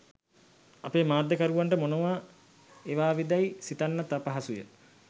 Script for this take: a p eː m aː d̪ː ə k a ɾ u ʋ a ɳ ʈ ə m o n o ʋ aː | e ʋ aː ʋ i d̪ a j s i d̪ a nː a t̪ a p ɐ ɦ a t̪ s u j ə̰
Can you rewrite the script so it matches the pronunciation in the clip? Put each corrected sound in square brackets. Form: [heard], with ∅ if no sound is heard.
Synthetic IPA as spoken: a p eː m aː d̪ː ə k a ɾ u ʋ a ɳ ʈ ə m o n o ʋ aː | e ʋ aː ʋ i d̪ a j s i [t̪] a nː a t̪ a p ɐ ɦ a [∅] s u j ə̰